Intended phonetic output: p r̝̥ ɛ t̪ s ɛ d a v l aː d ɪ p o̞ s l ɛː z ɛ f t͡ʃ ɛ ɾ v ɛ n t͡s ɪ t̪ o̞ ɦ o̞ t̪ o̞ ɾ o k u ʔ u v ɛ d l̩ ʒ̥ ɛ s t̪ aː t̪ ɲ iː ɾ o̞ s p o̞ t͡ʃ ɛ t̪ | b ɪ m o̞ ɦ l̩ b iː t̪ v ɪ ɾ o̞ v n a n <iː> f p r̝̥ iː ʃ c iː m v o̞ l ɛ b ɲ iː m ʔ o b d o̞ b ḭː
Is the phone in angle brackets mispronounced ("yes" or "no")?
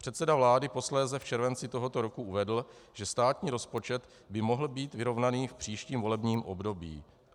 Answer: no